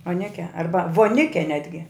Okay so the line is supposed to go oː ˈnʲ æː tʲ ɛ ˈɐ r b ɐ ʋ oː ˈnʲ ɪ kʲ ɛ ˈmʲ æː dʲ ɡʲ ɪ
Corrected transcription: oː ˈnʲ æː kʲ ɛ ˈɐ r b ɐ ʋ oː ˈnʲ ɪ kʲ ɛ ˈnʲ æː dʲ ɡʲ ɪ